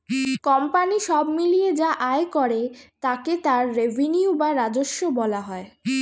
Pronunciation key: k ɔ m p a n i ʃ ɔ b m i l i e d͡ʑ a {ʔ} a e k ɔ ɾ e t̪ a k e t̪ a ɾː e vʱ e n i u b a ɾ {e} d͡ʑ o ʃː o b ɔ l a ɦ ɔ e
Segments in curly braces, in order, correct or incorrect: correct, incorrect

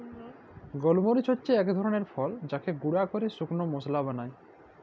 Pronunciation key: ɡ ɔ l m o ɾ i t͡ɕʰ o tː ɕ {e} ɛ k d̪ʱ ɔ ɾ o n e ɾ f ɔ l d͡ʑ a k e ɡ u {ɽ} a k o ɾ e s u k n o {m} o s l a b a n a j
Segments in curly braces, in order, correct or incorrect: correct, correct, correct

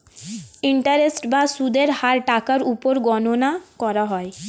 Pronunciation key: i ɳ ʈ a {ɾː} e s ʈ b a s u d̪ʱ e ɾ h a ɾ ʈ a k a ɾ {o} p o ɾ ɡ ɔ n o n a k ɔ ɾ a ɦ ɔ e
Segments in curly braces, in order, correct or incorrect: incorrect, incorrect

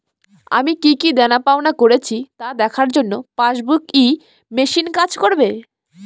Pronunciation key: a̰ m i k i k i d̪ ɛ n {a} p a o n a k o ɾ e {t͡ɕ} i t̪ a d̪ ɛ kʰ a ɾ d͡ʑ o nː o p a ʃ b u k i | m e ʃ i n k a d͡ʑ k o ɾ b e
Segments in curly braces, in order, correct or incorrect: correct, incorrect

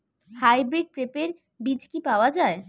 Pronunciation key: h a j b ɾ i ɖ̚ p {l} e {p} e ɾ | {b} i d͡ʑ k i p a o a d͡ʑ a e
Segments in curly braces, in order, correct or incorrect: incorrect, correct, correct

